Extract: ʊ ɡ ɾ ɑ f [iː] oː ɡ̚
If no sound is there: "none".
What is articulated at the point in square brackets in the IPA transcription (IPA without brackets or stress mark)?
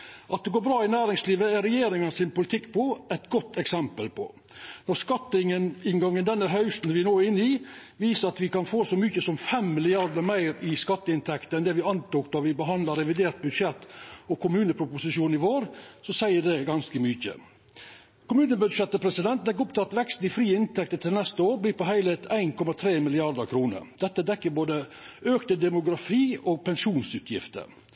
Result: iː